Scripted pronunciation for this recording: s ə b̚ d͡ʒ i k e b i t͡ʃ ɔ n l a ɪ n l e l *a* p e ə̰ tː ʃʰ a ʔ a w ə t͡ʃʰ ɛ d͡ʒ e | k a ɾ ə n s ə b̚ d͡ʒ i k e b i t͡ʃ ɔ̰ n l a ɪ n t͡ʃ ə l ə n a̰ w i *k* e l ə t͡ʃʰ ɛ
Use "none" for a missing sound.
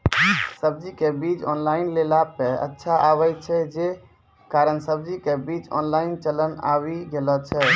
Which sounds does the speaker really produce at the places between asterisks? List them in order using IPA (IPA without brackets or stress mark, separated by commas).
a, ɡ